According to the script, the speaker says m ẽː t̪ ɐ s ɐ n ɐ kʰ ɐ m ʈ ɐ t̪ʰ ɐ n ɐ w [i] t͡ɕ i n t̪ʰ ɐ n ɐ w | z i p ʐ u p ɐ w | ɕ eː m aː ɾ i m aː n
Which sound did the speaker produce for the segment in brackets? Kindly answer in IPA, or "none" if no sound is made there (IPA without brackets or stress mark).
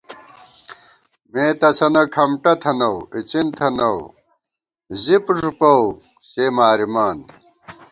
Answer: i